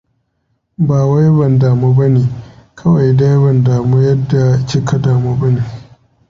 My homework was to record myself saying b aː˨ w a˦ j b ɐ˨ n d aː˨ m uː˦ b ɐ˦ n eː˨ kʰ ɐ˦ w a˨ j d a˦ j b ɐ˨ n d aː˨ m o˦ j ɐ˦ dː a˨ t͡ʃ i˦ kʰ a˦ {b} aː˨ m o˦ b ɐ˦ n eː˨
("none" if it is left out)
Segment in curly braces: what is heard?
d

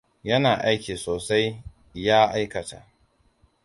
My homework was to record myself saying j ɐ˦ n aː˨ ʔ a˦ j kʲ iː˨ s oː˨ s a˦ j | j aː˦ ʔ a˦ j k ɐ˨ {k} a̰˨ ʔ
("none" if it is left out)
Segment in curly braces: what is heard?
t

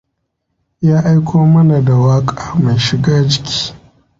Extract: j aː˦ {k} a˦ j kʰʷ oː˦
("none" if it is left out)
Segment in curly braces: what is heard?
ʔ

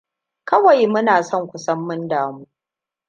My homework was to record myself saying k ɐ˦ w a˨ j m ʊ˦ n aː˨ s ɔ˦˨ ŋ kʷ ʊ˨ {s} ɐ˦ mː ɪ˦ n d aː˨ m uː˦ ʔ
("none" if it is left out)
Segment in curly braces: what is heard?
s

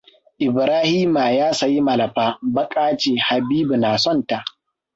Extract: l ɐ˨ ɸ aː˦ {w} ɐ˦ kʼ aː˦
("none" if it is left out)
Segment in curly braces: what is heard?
b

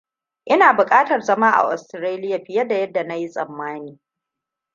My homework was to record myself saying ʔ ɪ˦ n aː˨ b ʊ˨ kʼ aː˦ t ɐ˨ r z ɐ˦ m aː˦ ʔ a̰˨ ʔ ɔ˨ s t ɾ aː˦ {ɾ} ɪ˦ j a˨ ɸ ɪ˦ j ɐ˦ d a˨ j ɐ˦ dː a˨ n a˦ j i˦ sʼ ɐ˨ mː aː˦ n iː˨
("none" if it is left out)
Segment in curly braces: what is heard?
l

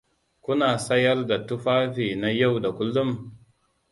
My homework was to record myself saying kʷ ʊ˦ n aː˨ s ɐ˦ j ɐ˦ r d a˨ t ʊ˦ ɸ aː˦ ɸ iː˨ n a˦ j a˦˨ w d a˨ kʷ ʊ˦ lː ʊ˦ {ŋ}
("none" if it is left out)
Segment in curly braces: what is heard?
m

